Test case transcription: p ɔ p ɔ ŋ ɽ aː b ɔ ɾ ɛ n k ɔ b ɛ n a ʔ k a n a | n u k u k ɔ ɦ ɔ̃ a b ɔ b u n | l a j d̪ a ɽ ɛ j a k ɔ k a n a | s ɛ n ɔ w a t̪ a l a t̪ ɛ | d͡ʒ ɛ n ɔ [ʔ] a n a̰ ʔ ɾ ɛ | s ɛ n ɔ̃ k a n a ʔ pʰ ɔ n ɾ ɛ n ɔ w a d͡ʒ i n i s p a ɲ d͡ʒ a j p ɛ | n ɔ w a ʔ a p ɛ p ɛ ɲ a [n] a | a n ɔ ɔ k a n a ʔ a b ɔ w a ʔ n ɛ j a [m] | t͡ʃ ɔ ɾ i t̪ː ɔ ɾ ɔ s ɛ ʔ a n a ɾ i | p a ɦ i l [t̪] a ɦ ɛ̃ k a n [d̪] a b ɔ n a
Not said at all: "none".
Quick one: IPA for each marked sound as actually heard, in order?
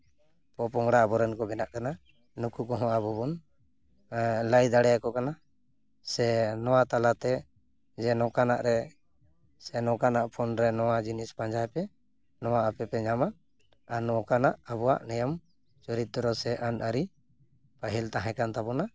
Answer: k, m, m, t̪, t̪

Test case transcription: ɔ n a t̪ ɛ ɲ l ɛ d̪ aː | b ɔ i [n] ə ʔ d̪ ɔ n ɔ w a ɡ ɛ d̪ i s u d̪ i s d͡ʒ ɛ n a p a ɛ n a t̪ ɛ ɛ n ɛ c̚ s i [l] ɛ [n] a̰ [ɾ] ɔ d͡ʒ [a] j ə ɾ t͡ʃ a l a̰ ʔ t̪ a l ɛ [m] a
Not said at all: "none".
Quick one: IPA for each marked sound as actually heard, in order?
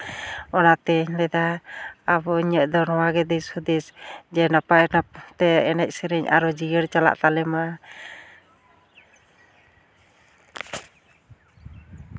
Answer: ɲ, ɾ, ɲ, ɾ, i, m

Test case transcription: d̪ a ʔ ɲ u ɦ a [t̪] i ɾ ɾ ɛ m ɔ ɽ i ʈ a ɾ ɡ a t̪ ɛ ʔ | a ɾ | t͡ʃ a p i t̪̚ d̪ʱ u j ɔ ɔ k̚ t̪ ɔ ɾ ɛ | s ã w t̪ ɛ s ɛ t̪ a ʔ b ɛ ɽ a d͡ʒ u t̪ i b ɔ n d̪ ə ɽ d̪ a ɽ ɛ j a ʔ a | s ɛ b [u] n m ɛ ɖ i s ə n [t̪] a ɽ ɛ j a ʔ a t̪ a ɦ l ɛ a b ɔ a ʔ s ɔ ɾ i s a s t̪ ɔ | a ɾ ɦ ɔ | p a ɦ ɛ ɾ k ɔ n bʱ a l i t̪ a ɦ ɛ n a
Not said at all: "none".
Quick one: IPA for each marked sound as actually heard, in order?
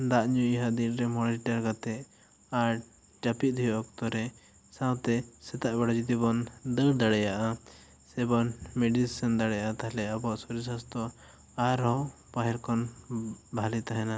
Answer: d̪, ɔ, d̪

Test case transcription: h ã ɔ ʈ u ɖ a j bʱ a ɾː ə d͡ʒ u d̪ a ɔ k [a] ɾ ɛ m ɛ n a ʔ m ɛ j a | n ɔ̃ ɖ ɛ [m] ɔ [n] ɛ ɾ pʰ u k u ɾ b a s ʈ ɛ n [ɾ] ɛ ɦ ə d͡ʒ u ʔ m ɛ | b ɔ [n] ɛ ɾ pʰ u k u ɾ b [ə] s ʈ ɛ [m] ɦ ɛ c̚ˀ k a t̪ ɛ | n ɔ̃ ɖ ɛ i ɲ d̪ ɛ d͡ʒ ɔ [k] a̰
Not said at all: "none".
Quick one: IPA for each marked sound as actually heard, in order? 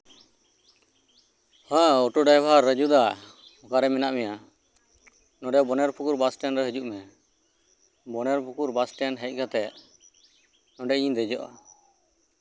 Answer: a, b, n, ɾ, n, a, n, ʔ

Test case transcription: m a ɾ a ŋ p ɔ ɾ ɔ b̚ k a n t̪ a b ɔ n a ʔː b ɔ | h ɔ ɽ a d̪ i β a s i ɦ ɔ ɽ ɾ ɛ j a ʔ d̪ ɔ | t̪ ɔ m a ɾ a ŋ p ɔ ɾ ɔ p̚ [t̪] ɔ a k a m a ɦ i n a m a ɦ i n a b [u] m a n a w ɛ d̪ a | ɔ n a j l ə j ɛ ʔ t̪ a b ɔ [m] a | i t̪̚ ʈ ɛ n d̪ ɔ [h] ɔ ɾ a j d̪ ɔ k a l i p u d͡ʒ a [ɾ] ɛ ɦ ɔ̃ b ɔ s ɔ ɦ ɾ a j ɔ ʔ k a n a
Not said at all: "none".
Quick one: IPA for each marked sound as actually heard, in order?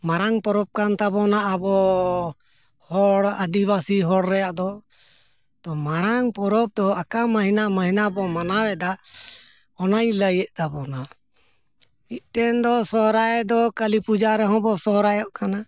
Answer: d̪, ɔ, n, s, ɾ

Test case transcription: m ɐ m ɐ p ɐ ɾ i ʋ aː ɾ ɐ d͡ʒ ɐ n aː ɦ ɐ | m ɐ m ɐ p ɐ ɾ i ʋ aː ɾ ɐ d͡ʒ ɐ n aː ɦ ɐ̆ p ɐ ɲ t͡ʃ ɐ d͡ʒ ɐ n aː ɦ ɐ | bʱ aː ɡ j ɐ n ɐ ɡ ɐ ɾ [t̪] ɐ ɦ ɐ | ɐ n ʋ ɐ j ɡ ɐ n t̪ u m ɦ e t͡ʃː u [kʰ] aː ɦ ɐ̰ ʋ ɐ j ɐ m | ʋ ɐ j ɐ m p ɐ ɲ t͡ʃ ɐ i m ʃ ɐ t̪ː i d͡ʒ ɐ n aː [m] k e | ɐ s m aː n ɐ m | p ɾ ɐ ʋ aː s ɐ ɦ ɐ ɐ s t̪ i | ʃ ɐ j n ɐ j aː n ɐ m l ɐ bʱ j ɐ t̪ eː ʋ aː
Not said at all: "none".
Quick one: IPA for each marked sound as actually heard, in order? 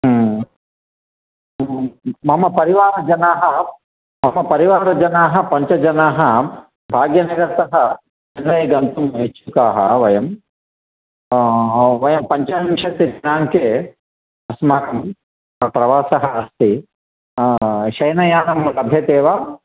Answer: t̪, k, ŋ

